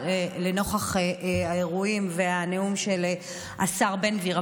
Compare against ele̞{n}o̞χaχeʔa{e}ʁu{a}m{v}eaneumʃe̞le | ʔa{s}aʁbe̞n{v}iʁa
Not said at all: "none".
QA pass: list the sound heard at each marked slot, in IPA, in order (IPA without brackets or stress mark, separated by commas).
n, e, i, v, s, v